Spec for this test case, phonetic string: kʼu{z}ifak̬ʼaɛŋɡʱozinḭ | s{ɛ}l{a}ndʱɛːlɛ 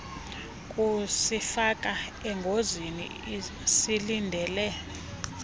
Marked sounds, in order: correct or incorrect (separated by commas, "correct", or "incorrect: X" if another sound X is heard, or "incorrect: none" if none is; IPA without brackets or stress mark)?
incorrect: s, incorrect: i, incorrect: i